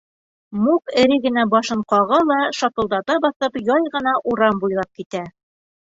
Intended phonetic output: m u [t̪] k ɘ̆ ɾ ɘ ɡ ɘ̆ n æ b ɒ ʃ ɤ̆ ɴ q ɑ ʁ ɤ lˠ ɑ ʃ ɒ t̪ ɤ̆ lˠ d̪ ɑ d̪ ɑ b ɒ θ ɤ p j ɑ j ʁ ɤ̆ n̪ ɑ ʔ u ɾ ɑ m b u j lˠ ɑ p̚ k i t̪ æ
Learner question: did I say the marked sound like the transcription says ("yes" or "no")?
no